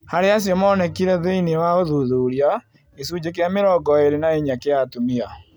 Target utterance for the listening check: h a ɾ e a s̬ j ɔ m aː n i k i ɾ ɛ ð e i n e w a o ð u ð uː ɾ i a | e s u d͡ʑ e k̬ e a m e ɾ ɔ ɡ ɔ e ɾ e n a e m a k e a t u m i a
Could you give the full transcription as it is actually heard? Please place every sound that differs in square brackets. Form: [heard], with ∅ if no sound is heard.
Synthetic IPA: h a ɾ e a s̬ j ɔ m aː n [ɛ] k i ɾ ɛ ð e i n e w a o ð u ð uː ɾ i a | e s u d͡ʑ e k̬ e a m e ɾ ɔ ɡ ɔ e ɾ e n a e [ɲ] a k e a t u m i a

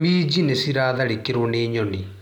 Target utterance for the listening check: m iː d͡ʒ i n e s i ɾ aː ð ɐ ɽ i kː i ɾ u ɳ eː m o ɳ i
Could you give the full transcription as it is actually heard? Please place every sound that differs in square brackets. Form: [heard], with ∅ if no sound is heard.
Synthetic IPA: m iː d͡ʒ i n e s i ɾ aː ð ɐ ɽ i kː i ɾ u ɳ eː [ɲ] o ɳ i

